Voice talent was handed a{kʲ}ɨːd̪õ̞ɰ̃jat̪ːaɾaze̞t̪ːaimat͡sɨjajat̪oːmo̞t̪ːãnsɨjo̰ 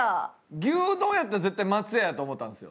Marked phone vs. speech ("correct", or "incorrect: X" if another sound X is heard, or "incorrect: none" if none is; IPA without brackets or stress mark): incorrect: ɡʲ